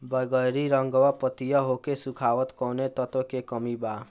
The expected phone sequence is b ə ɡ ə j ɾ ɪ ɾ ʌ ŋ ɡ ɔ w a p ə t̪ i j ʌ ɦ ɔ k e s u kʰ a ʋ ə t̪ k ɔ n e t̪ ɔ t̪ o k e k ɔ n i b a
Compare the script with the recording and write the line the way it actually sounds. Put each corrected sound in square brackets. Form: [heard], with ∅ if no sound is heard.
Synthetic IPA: b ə ɡ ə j ɾ [i] ɾ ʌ ŋ ɡ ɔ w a p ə t̪ i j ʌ ɦ [o] k e s u kʰ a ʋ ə t̪ k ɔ n e t̪ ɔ t̪ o k e k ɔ [m] i b a